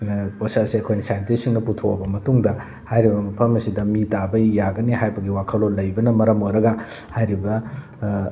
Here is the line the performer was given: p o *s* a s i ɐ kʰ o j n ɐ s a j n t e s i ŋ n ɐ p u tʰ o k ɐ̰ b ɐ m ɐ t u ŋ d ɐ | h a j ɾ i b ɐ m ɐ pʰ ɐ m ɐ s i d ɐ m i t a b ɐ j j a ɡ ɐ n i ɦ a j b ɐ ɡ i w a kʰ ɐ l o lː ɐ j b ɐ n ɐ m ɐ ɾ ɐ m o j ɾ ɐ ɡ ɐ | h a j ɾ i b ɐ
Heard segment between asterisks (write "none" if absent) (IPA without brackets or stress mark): s